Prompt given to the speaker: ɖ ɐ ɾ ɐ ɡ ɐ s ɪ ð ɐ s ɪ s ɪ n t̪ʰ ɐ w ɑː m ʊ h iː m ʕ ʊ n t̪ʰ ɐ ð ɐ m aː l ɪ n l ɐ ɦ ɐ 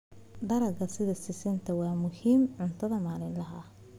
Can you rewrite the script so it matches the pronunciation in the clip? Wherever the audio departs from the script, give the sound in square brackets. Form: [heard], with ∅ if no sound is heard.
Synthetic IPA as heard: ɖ ɐ ɾ ɐ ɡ ɐ s ɪ ð ɐ s ɪ s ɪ n t̪ʰ ɐ w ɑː m ʊ h iː m ʕ ʊ n t̪ʰ ɐ ð ɐ m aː l ɪ n l ɐ ɦ ɐ

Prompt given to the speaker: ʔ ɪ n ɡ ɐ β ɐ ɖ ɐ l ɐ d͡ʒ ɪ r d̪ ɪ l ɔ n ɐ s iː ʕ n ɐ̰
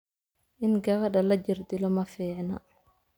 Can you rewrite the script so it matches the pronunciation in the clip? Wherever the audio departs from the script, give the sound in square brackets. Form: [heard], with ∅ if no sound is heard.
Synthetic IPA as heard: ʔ ɪ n ɡ ɐ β ɐ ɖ ɐ l ɐ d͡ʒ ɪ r d̪ ɪ l ɔ [m] ɐ [f] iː ʕ n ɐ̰

